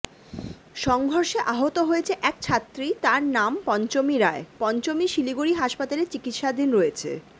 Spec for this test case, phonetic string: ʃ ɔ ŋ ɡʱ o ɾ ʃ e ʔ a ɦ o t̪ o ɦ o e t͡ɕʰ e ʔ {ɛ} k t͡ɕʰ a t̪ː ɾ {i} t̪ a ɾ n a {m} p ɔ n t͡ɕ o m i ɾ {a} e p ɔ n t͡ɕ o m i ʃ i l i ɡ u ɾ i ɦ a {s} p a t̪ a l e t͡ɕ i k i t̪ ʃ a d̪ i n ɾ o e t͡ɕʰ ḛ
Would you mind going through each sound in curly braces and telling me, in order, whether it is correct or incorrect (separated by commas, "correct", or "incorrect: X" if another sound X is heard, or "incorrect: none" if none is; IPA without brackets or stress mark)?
correct, correct, correct, correct, incorrect: ʃ